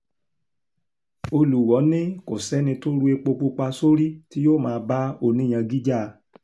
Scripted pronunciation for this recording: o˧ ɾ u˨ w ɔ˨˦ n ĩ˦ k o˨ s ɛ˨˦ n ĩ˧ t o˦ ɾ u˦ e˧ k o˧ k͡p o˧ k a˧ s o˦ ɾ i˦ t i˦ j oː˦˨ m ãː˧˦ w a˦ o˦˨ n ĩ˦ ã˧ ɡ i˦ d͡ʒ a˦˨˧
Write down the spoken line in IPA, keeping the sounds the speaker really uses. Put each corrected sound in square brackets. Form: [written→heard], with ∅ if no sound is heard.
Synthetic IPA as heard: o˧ [ɾ→l] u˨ w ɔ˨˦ n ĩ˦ k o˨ s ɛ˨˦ n ĩ˧ t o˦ ɾ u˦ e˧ [k→k͡p] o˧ k͡p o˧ [k→k͡p] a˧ s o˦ ɾ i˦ t i˦ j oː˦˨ m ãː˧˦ [w→b] a˦ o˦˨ n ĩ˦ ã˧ ɡ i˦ d͡ʒ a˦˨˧